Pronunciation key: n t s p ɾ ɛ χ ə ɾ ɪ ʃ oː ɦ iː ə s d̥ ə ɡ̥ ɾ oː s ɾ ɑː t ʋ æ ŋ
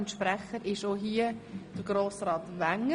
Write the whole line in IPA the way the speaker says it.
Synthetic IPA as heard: n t ʃ p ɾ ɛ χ ə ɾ ɪ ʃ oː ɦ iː ə d̥ ə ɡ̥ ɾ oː s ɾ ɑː t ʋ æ ŋ